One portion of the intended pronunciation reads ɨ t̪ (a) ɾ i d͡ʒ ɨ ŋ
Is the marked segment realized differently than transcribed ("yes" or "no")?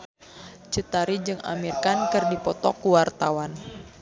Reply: no